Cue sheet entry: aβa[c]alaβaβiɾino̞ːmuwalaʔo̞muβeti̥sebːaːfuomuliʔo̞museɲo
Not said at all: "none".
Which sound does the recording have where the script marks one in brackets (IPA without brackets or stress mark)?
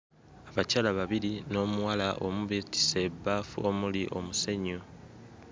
c